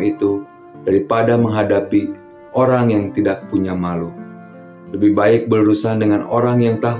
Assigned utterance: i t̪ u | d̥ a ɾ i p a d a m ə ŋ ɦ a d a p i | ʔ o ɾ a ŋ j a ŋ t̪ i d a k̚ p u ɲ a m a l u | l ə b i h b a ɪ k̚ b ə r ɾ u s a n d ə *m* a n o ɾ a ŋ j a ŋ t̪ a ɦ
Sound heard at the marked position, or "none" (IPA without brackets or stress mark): ŋ